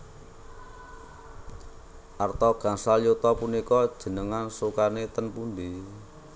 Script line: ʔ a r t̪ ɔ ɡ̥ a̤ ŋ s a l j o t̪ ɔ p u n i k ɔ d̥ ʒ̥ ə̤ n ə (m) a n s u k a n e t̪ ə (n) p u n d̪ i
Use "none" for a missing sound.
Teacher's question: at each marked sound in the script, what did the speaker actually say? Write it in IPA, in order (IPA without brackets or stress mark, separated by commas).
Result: ŋ, n